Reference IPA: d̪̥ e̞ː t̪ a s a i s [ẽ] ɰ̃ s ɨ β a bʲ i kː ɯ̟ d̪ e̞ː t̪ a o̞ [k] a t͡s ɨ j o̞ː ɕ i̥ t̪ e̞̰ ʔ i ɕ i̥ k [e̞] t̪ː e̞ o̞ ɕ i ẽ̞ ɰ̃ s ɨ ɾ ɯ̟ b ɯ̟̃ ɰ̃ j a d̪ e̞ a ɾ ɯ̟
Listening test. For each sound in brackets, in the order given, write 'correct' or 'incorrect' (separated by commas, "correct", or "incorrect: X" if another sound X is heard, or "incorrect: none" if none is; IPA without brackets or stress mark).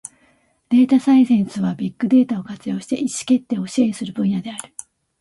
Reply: correct, correct, correct